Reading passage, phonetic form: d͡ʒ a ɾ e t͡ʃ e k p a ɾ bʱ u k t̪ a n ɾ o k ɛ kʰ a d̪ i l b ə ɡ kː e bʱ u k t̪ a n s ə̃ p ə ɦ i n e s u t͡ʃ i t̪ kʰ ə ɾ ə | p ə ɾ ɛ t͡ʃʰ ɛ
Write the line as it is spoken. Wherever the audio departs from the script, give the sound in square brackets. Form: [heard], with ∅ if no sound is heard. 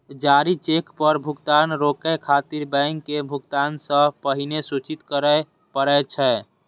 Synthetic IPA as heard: d͡ʒ a ɾ [i] t͡ʃ e k p [ə] ɾ bʱ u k t̪ a n ɾ o k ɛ kʰ a [t̪] i [ɾ] b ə [ŋ] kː e bʱ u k t̪ a n s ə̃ p ə ɦ i n e s u t͡ʃ i t̪ [k] ə ɾ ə | p ə ɾ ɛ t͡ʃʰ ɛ